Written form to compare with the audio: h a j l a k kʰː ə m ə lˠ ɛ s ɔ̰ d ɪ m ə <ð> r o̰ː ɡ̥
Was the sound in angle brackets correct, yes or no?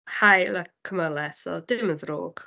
yes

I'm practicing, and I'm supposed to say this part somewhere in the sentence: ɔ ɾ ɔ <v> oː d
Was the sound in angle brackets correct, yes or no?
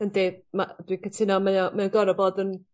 no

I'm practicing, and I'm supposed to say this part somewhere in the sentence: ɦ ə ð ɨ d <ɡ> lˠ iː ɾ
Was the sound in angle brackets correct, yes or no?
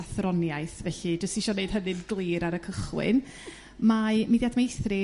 yes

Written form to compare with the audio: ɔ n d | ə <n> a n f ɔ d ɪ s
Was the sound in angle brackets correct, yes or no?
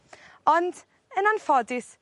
yes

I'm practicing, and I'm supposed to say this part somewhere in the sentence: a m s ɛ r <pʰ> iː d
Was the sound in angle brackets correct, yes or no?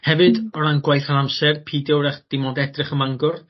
yes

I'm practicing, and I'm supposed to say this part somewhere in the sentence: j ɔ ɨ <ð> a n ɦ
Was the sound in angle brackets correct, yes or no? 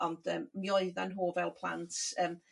yes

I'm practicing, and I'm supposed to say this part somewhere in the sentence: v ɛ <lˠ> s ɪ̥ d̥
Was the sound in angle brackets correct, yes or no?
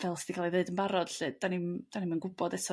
yes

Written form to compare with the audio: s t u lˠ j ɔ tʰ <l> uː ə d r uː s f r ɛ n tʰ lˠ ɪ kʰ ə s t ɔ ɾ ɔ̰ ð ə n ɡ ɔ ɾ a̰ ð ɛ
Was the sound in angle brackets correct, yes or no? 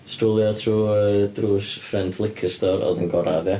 no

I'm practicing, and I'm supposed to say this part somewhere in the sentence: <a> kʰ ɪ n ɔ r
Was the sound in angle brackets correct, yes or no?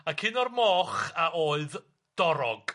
yes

